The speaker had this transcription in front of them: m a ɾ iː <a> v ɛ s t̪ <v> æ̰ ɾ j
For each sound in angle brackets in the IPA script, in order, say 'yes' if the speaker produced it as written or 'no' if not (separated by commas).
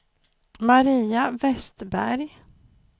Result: yes, no